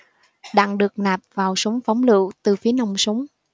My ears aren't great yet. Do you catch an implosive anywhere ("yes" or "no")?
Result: yes